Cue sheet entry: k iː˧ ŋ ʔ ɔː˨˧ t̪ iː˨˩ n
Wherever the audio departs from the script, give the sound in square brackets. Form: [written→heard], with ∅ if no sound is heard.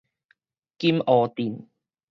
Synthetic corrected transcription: k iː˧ [ŋ→m] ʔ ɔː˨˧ t̪ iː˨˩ n